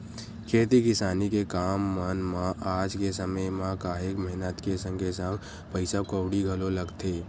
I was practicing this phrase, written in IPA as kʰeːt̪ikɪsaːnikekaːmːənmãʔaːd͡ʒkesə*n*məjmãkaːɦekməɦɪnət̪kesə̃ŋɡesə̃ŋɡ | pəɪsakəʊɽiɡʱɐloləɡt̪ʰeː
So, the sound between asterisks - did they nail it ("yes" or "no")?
no